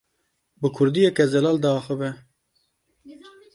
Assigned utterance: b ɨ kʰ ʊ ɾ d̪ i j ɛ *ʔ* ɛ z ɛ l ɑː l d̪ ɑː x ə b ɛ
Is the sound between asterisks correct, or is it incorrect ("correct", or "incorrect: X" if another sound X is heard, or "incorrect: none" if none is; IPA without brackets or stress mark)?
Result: incorrect: k